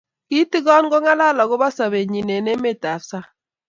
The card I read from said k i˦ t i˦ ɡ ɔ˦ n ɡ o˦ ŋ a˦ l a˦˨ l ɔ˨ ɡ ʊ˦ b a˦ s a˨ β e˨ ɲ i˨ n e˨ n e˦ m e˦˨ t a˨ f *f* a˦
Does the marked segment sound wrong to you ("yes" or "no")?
yes